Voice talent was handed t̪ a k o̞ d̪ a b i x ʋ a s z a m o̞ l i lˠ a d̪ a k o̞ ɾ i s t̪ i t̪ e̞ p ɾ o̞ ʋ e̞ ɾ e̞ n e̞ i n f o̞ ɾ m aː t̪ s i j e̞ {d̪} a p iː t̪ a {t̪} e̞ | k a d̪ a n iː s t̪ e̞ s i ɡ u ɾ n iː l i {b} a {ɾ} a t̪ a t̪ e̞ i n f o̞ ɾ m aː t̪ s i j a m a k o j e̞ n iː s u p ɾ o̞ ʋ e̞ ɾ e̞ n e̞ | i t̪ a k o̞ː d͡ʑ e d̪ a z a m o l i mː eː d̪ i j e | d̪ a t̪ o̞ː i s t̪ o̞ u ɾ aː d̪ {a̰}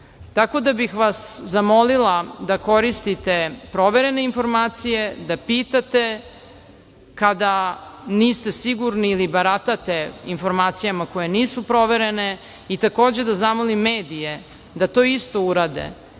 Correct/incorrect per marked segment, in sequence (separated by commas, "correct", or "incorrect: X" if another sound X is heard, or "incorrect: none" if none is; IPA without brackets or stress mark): correct, correct, correct, correct, incorrect: ḛ